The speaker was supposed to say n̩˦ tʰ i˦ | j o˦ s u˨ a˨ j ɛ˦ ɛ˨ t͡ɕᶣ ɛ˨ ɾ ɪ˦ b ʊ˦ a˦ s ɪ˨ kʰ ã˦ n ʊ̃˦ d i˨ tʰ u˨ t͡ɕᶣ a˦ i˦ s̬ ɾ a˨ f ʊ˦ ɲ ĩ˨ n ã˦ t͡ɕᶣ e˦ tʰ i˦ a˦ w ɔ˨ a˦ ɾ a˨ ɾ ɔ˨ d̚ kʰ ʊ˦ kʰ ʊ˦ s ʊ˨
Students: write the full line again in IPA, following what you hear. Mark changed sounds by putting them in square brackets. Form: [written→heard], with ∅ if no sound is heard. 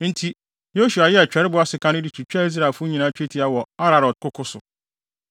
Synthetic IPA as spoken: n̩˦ tʰ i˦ | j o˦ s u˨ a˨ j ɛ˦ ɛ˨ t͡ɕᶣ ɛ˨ ɾ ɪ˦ b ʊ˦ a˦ s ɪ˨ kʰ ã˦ n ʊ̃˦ d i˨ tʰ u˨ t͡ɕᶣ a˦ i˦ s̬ ɾ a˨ f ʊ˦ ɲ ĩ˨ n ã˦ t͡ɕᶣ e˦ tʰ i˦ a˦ w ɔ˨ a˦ ɾ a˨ ɾ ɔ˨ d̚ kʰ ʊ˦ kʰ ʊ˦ s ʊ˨